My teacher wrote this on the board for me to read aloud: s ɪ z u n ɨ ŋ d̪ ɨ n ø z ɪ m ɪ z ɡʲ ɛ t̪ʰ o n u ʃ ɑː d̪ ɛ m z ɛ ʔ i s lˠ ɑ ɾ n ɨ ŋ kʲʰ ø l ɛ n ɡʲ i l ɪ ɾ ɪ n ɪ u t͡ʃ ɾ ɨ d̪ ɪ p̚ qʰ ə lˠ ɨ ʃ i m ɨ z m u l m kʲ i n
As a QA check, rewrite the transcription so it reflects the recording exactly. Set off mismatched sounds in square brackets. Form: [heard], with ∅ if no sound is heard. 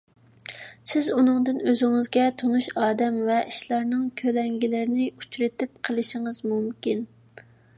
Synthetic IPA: s ɪ z u n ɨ ŋ d̪ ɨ n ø z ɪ [ŋ] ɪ z ɡʲ ɛ t̪ʰ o n u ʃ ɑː d̪ ɛ m [v] ɛ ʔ i [ʃ] lˠ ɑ ɾ n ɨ ŋ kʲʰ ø l ɛ [ŋ] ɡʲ i l ɪ ɾ ɪ n ɪ u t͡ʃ ɾ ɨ [t̪] ɪ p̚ qʰ ə lˠ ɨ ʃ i [ŋ] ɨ z m u [∅] m kʲ i n